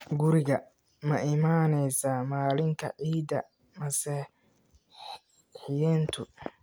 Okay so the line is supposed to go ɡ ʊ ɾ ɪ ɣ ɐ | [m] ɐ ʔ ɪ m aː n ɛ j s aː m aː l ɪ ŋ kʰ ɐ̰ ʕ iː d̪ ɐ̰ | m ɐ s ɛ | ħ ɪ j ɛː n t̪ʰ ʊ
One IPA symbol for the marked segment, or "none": m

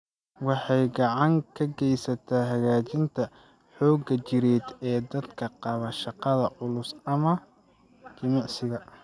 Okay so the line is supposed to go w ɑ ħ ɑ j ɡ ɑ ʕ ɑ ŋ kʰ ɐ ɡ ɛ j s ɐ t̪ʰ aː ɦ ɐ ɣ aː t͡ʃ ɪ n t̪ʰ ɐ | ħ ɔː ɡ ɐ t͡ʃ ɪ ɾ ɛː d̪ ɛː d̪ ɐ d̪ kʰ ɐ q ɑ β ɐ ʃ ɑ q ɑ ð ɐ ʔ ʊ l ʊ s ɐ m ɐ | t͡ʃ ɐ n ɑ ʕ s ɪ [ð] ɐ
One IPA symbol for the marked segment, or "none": ɣ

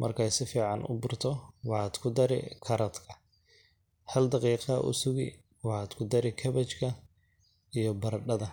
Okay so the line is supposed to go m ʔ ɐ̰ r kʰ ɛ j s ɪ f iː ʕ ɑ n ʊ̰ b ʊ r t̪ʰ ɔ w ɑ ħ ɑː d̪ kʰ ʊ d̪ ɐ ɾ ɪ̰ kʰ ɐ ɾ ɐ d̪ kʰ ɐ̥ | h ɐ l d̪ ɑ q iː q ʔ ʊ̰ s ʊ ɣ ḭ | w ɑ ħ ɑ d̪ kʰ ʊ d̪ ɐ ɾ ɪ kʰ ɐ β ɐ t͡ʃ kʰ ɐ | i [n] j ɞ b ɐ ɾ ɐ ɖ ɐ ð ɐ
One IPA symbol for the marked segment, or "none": none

